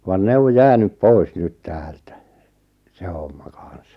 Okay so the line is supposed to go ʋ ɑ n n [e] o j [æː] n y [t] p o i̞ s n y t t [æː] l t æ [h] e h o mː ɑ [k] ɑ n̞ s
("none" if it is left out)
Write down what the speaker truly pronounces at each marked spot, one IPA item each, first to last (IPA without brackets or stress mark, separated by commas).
e, æː, p, æː, s, k